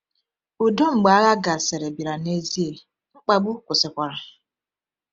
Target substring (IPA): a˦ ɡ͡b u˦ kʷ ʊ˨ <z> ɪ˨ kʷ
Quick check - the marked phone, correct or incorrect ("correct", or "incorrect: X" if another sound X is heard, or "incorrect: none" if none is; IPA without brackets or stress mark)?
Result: incorrect: s